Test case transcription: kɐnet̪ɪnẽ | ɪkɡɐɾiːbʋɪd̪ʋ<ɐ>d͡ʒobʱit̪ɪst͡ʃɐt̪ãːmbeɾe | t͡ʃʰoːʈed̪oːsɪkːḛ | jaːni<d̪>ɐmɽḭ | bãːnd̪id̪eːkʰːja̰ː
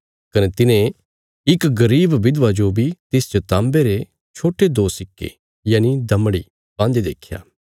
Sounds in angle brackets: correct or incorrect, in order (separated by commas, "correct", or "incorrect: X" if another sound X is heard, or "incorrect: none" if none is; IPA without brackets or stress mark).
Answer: incorrect: a, correct